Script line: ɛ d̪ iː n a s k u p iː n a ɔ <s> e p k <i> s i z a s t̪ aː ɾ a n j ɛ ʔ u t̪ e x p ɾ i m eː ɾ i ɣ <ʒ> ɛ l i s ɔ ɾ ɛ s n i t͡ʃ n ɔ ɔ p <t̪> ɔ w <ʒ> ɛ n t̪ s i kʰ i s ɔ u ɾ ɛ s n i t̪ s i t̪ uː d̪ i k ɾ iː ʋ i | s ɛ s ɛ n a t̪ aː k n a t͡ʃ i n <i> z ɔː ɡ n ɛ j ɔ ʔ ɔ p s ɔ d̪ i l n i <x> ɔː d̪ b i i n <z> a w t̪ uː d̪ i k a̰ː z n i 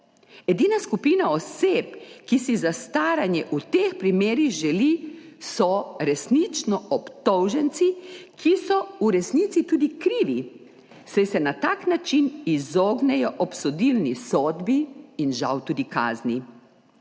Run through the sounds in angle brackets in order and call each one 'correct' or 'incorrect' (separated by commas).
correct, correct, correct, correct, correct, correct, incorrect, incorrect